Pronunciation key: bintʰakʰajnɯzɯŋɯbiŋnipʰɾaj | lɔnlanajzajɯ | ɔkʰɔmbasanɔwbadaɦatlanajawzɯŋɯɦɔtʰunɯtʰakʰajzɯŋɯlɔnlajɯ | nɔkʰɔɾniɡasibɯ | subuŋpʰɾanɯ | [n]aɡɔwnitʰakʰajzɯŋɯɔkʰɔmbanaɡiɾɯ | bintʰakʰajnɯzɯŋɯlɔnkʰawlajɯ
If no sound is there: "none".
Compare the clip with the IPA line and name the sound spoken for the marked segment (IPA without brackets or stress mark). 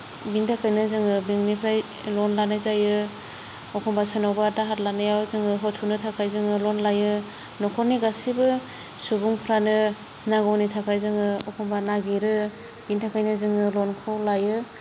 n